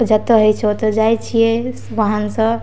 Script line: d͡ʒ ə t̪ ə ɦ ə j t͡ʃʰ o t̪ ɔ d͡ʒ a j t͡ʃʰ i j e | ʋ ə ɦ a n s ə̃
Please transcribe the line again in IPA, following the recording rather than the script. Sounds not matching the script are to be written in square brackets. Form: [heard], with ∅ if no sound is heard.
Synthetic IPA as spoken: d͡ʒ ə t̪ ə ɦ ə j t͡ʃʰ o t̪ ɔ d͡ʒ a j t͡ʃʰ i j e | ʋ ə ɦ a n s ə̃